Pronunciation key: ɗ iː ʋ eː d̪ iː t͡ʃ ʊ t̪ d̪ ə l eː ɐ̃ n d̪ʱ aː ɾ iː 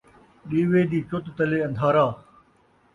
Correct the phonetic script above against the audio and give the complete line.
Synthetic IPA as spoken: ɗ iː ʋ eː d̪ iː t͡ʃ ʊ t̪ t̪ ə l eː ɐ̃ n d̪ʱ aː ɾ aː